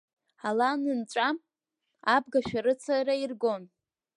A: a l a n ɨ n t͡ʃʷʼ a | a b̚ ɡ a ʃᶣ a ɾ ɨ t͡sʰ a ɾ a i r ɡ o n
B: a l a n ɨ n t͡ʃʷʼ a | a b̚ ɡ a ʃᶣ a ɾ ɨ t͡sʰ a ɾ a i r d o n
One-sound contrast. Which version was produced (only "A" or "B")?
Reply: A